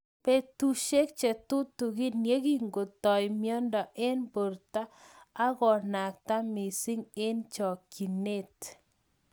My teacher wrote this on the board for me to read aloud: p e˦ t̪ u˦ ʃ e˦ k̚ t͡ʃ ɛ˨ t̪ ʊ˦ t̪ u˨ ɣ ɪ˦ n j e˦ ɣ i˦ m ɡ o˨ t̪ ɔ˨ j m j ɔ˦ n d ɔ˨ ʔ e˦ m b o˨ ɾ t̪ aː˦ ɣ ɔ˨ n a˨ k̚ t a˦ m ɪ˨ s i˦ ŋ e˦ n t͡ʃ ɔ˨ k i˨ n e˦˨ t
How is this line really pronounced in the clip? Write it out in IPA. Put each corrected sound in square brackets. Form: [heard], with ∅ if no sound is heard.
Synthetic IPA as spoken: p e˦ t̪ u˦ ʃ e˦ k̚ t͡ʃ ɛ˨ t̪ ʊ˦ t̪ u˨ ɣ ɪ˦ n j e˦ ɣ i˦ [ŋ] ɡ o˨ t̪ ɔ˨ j m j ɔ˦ n d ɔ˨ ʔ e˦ [n] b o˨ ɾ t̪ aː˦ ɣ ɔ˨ n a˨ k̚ t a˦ m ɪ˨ s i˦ ŋ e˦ n t͡ʃ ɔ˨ k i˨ n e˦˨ t

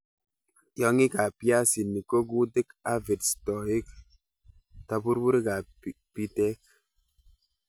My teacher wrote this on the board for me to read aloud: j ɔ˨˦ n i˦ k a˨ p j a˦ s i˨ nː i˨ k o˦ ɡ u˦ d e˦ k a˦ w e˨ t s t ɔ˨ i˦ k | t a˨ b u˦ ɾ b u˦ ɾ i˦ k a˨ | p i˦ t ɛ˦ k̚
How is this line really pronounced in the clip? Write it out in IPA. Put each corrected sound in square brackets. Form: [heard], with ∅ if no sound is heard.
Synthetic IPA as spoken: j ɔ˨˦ [ŋ] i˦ k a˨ p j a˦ s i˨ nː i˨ k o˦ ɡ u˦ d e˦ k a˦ [v] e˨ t s t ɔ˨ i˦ k | t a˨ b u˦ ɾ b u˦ ɾ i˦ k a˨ | p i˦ t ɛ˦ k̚

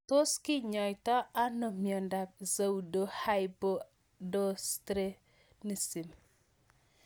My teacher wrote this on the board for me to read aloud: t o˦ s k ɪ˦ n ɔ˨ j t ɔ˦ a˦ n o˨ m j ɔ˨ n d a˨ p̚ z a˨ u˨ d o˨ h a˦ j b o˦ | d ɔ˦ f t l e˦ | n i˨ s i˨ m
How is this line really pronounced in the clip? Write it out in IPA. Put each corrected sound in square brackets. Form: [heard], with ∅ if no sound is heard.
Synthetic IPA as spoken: t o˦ s k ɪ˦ [ɲ] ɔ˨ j t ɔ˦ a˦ n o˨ m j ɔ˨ n d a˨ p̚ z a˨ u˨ d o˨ h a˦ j b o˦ | d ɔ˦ [s] t [ɾ] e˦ | n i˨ s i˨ m

